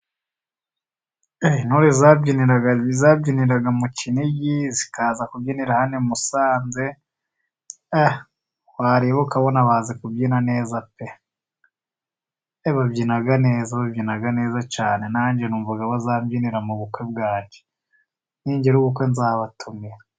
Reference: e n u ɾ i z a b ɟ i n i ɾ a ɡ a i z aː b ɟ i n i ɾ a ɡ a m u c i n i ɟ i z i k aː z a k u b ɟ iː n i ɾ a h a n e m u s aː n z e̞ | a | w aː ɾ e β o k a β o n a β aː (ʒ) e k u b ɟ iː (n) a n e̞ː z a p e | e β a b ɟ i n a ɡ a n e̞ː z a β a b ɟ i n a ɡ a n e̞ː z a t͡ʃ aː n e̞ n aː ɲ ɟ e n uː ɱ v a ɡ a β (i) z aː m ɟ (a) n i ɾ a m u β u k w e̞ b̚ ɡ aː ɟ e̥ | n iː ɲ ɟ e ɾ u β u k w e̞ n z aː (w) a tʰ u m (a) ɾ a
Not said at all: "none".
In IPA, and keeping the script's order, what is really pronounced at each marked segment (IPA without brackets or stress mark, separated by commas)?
z, n, a, i, β, i